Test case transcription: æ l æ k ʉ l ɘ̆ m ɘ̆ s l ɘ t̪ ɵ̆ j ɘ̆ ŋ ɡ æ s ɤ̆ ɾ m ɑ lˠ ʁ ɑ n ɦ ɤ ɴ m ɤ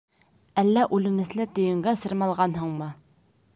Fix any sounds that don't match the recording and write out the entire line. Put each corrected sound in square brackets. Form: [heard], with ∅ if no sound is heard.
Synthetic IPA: æ [lː] æ [ʔ] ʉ l ɘ̆ m ɘ̆ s l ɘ t̪ ɵ̆ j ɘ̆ ŋ ɡ æ s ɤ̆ ɾ m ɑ lˠ ʁ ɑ n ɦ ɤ ɴ m ɤ